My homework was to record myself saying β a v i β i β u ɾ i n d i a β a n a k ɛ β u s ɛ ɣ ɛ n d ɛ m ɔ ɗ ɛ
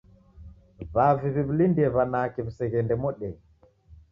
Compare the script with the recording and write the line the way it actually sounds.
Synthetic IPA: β a v i β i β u l i n d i ɛ β a n a k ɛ β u s ɛ ɣ ɛ n d ɛ m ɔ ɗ ɛ